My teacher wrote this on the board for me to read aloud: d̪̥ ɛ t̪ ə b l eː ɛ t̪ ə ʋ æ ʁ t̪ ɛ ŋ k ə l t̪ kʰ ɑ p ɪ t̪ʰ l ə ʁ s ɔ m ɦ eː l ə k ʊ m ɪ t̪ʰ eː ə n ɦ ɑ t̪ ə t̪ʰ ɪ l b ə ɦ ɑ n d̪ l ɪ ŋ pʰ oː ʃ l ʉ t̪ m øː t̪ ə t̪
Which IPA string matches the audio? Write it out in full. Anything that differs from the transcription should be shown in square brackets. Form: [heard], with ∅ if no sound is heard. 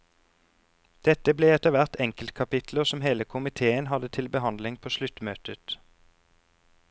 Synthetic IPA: d̪̥ ɛ t̪ ə b l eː ɛ t̪ ə ʋ æ ʁ t̪ ɛ ŋ k ə l t̪ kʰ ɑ p ɪ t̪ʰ l ə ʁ s ɔ m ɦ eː l ə [kʰ] ʊ m ɪ t̪ʰ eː ə n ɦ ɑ [d̪] ə t̪ʰ ɪ l b ə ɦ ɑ n d̪ l ɪ ŋ pʰ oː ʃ l ʉ t̪ m øː t̪ ə t̪